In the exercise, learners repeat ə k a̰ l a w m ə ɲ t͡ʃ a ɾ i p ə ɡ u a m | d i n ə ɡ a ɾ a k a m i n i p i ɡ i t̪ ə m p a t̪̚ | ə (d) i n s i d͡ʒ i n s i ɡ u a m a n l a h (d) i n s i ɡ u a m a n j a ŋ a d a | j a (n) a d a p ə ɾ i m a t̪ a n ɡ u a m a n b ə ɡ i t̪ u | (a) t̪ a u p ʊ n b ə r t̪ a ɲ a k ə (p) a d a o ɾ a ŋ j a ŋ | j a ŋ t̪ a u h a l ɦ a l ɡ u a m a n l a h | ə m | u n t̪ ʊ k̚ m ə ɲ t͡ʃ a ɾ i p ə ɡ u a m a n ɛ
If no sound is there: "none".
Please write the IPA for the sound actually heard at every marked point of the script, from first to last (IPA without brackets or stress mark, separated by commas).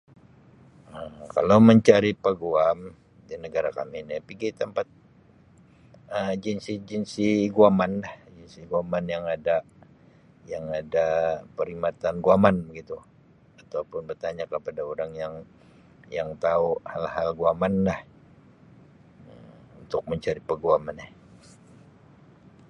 d͡ʒ, d͡ʒ, ŋ, a, p